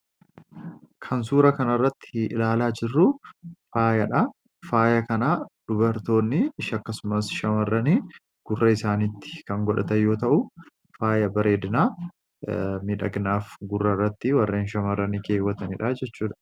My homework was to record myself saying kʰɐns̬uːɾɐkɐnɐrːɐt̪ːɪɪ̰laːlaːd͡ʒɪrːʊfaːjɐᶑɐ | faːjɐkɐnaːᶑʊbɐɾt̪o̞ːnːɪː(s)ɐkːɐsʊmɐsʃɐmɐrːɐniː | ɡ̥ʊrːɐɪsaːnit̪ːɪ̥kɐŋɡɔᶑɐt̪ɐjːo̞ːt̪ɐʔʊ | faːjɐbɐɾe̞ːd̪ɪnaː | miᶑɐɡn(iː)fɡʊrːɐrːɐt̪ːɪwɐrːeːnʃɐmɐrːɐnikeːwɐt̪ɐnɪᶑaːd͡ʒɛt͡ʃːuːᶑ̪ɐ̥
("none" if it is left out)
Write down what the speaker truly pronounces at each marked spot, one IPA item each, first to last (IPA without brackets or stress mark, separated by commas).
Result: ʃ, aː